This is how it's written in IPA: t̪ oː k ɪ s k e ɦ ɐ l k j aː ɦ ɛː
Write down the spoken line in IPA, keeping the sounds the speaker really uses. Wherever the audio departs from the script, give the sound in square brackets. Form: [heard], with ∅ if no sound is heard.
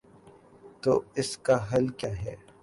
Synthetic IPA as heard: t̪ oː [∅] ɪ s k [a] ɦ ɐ l k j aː ɦ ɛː

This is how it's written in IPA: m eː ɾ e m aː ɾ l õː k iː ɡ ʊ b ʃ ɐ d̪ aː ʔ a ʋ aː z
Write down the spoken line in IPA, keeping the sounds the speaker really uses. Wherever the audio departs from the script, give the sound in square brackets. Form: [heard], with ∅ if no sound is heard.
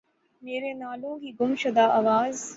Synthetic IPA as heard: m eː ɾ e [n] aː [∅] l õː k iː ɡ ʊ [m] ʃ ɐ d̪ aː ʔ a ʋ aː z

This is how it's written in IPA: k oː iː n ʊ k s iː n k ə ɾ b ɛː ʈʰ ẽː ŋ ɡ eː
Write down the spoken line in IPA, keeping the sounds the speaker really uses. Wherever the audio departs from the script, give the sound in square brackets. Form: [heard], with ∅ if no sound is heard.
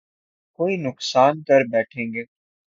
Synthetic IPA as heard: k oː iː n ʊ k s [aː] n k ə ɾ b ɛː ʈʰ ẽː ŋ ɡ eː

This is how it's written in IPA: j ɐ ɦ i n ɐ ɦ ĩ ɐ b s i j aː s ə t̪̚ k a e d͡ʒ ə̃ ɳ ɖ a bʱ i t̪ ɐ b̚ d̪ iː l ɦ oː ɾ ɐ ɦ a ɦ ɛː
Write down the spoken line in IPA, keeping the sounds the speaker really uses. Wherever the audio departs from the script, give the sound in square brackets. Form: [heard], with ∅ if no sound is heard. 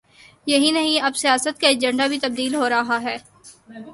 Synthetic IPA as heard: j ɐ ɦ i n ɐ ɦ ĩ ɐ b s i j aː s ə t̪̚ k a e d͡ʒ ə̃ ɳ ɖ a bʱ i t̪ ɐ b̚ d̪ iː l ɦ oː ɾ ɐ ɦ a ɦ ɛː

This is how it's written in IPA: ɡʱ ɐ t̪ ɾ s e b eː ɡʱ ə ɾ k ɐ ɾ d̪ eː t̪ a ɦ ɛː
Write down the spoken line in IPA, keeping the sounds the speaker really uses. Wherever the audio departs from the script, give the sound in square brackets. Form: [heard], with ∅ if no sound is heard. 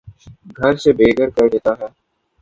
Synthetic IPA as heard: ɡʱ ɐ [∅] ɾ s e b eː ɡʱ ə ɾ k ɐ ɾ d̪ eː t̪ a ɦ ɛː

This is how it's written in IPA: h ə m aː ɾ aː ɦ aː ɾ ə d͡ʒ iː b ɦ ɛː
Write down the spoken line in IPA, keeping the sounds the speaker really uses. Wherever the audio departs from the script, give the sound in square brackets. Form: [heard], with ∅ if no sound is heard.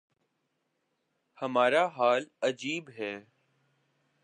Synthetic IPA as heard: h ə m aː ɾ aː ɦ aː [l] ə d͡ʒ iː b ɦ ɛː

